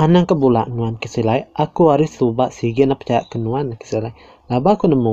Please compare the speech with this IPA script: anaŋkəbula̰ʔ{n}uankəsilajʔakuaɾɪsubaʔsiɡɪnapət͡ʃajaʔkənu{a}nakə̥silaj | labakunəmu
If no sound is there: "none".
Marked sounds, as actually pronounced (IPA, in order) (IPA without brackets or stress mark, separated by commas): n, a